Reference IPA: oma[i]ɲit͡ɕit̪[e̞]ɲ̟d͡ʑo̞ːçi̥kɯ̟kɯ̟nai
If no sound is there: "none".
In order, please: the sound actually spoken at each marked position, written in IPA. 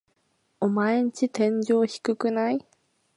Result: e, ẽ̞

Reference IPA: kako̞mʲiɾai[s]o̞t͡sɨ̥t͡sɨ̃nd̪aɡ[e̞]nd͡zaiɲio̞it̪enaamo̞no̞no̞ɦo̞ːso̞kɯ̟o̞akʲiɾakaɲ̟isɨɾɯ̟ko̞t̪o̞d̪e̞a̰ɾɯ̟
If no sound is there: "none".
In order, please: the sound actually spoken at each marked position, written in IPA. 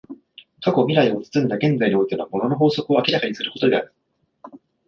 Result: none, ẽ̞

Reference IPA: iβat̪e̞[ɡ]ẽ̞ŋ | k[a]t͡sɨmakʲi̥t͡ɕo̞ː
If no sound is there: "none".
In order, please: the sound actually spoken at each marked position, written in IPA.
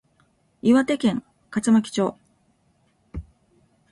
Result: k, a

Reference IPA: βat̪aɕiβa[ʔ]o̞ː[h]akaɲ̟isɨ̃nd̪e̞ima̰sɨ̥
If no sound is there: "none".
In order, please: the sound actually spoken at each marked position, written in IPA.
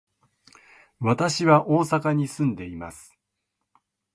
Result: ʔ, s

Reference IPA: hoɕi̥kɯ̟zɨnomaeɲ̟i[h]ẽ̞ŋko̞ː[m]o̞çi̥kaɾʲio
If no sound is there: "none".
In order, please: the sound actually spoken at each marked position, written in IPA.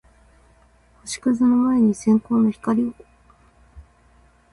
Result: s, n

